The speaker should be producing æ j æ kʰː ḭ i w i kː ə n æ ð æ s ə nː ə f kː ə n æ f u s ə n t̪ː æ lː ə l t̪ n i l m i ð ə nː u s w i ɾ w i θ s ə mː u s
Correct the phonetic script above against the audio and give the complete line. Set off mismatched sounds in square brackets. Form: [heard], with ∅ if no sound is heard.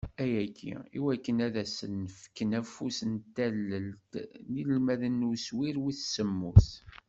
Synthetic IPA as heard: æ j æ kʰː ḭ i w [æ] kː ə n æ ð æ s ə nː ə f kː ə n æ f u s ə n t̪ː æ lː ə l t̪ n i l m [æ] ð ə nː u s w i ɾ w i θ s ə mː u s